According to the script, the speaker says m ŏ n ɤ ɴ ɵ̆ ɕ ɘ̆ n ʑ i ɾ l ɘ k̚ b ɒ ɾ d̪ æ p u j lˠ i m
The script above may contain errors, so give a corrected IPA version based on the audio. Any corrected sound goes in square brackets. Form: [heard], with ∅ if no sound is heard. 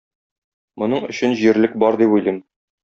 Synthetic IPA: m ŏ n ɤ ɴ ɵ̆ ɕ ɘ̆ n ʑ i ɾ l ɘ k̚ b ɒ ɾ d̪ [i] p u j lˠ i m